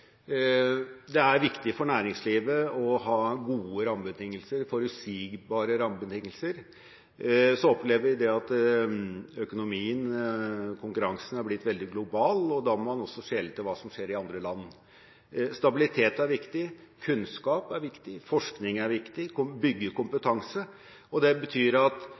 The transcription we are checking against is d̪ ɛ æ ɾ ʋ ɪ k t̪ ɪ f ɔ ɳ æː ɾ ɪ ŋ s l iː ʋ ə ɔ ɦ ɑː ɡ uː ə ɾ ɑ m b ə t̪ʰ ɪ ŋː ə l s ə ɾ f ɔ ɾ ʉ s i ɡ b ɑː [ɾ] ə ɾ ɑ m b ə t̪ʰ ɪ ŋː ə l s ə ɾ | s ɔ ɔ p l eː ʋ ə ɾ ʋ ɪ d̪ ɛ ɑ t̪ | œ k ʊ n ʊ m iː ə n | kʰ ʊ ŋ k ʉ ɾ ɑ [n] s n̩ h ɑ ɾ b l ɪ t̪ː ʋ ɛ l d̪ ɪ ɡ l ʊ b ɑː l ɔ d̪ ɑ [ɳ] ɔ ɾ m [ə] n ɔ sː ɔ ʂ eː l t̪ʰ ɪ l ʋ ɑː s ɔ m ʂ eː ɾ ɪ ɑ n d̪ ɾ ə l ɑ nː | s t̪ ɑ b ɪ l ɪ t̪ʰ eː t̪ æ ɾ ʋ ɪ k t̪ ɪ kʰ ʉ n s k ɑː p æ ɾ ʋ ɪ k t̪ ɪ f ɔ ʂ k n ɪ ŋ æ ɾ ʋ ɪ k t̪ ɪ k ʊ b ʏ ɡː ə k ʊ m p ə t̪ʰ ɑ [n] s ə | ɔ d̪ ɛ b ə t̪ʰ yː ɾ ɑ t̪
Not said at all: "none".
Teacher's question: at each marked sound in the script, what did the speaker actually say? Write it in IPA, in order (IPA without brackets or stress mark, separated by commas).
ɾ, ŋ, m, ɑ, ŋ